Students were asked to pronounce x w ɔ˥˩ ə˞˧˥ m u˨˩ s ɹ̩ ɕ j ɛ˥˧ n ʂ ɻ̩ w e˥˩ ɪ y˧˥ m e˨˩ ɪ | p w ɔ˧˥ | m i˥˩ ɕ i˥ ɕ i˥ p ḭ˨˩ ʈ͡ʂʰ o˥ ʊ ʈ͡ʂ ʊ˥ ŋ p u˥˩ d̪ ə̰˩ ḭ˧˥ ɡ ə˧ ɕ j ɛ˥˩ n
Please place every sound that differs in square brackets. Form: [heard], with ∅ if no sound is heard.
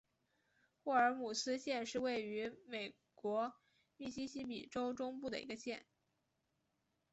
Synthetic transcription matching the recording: x w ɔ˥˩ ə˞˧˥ m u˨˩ s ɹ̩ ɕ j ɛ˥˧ n ʂ ɻ̩ w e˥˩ ɪ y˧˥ m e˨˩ ɪ | [k] w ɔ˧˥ | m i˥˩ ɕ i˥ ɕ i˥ p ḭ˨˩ [ʈ͡ʂ] o˥ ʊ ʈ͡ʂ ʊ˥ ŋ p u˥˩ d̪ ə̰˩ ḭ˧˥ ɡ ə˧ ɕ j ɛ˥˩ n